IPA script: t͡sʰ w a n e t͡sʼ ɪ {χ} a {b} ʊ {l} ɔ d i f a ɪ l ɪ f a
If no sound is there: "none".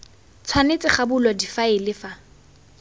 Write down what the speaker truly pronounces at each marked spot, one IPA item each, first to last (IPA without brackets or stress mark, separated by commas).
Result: χ, b, l